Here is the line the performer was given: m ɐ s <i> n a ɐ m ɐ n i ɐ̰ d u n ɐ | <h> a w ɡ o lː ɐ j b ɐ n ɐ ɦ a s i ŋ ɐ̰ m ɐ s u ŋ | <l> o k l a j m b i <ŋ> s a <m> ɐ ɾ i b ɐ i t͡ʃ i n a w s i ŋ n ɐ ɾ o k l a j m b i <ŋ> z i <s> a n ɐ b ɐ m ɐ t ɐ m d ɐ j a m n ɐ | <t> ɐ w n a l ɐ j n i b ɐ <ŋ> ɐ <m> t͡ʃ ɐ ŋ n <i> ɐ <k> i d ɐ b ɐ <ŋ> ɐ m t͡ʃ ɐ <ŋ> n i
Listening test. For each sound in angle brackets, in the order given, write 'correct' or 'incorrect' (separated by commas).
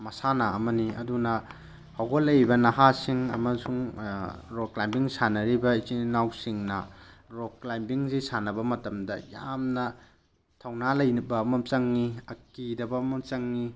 incorrect, correct, incorrect, correct, incorrect, correct, correct, incorrect, incorrect, correct, correct, correct, incorrect, correct